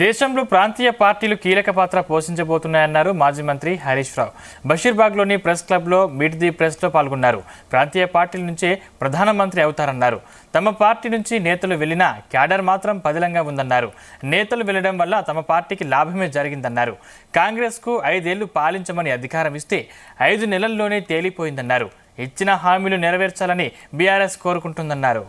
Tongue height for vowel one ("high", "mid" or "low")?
mid